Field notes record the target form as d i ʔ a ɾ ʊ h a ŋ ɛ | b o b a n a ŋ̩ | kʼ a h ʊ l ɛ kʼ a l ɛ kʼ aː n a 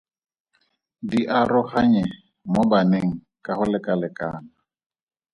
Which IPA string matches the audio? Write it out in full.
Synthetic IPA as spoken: d i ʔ a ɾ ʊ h a ɲ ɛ | m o b a n e ŋ̩ | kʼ a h ʊ l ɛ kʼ a l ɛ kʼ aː n a